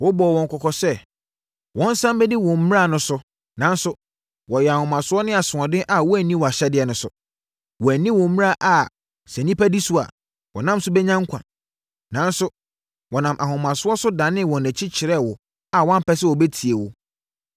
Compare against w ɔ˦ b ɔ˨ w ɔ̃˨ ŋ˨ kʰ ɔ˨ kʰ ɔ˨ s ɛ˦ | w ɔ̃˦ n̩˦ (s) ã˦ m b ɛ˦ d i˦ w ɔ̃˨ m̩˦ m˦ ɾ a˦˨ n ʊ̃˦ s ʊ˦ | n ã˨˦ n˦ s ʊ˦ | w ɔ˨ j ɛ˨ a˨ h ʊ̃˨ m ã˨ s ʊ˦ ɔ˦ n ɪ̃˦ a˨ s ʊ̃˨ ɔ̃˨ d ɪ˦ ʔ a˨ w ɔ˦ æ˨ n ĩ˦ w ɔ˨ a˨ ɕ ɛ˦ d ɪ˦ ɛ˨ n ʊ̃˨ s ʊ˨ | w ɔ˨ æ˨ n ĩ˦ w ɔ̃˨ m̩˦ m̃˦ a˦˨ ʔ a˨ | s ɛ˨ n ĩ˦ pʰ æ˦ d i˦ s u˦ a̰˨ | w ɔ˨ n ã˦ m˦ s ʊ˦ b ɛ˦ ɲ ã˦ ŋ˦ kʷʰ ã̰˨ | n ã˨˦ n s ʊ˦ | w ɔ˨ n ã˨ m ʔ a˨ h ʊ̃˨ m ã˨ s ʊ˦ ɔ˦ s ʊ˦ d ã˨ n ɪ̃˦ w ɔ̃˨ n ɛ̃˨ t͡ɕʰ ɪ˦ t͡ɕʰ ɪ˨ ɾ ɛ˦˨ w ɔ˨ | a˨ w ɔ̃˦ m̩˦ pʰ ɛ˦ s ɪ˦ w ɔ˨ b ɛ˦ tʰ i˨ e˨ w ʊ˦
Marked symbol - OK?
yes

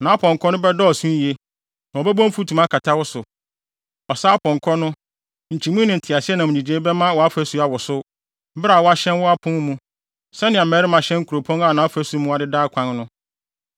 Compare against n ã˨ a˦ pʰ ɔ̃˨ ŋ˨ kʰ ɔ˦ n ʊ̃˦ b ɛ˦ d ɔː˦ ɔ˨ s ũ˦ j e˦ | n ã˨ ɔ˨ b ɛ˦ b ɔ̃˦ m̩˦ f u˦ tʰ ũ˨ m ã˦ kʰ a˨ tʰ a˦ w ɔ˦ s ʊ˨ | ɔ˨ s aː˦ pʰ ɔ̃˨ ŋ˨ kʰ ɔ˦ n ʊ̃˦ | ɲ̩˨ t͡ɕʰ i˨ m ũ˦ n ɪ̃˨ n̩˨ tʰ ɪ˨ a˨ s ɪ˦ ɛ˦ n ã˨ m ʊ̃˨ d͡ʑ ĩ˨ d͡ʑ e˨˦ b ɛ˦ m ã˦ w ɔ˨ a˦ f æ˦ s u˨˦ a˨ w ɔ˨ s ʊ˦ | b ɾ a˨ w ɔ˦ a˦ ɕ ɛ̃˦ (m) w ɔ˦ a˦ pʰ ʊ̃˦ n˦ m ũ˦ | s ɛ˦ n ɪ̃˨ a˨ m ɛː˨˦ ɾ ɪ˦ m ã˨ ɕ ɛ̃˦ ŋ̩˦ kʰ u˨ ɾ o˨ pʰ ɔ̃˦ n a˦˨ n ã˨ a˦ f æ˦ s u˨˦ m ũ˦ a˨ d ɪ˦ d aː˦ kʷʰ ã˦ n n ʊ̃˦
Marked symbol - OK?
no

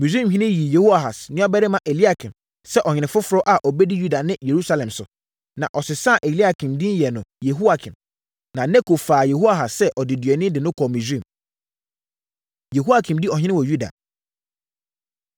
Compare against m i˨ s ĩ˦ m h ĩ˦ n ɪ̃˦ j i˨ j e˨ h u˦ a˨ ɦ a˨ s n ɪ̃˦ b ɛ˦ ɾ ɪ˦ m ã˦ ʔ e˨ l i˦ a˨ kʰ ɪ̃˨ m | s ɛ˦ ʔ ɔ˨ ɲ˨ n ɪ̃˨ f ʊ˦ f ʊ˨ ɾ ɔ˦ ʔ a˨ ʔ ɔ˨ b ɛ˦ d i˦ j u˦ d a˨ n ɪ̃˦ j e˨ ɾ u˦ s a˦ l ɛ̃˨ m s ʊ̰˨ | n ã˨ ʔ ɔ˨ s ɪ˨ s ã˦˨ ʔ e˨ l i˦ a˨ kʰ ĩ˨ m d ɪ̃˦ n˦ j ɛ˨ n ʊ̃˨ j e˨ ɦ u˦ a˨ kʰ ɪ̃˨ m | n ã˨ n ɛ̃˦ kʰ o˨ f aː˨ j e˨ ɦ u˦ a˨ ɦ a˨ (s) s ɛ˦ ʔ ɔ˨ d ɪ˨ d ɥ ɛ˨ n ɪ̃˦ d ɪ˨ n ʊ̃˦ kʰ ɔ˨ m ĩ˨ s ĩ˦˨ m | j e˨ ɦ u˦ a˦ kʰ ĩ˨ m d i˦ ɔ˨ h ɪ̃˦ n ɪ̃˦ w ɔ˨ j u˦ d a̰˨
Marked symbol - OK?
yes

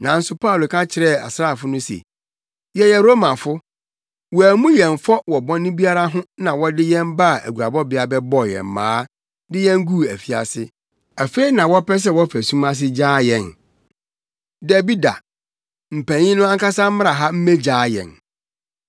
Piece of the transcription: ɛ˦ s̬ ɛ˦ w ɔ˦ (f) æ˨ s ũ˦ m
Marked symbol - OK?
yes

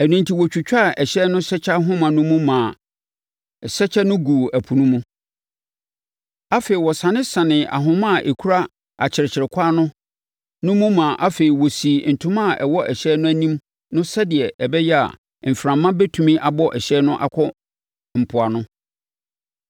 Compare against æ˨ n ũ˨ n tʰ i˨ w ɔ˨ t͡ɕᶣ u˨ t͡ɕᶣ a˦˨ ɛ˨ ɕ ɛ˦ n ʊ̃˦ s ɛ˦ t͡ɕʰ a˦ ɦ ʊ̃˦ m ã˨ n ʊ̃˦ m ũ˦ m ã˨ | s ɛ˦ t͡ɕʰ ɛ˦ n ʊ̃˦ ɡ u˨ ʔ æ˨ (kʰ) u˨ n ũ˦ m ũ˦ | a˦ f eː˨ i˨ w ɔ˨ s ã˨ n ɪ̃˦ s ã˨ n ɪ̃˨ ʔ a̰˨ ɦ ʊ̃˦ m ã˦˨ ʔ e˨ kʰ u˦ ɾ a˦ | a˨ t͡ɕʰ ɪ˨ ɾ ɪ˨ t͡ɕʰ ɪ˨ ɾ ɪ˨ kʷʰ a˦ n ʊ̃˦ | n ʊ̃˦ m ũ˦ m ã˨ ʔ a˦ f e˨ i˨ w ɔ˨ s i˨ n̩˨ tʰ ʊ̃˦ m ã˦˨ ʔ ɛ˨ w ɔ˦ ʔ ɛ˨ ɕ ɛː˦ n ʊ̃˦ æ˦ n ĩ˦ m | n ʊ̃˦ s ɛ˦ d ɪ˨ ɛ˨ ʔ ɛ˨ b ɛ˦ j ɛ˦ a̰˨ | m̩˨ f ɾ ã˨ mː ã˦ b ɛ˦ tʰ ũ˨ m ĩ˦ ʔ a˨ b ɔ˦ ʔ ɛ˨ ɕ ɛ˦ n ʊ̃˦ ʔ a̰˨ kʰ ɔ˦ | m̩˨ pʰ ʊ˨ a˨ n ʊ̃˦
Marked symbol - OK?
no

